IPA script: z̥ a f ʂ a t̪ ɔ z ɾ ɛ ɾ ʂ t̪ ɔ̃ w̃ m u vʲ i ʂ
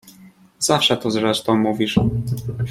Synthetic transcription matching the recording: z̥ a f ʂ ɛ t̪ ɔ z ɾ ɛ ʂ t̪ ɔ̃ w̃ m u vʲ i ʂ